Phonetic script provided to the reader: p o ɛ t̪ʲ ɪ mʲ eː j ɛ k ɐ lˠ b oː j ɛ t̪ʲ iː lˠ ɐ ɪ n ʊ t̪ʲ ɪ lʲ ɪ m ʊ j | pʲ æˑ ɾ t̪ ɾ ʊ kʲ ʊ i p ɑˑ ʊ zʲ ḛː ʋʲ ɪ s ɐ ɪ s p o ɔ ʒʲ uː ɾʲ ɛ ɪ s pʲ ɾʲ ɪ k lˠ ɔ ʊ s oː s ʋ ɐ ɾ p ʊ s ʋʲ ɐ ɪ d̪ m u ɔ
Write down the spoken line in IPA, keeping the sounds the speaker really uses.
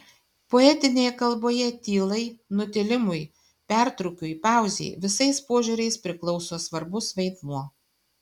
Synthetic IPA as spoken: p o ɛ t̪ʲ ɪ nʲ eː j ɛ k ɐ lˠ b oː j ɛ t̪ʲ iː lˠ ɐ ɪ n ʊ t̪ʲ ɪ lʲ ɪ m ʊ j | pʲ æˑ ɾ t̪ ɾ ʊ kʲ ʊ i p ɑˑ ʊ zʲ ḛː ʋʲ ɪ s ɐ ɪ s p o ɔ ʒʲ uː ɾʲ ɛ ɪ s pʲ ɾʲ ɪ k lˠ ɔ ʊ s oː s ʋ ɐ ɾ b ʊ s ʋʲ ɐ ɪ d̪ m u ɔ